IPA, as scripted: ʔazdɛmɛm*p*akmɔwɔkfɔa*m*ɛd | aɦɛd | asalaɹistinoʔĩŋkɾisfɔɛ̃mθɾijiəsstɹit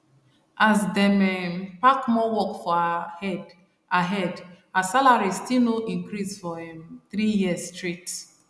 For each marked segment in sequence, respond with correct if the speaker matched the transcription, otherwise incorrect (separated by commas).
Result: correct, incorrect